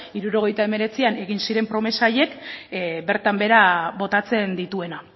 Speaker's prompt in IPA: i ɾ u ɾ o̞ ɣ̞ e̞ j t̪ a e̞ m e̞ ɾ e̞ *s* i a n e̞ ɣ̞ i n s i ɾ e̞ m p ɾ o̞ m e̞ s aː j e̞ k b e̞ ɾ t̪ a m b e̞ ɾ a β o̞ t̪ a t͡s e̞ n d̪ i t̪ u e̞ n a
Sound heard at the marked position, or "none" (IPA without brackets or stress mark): t͡s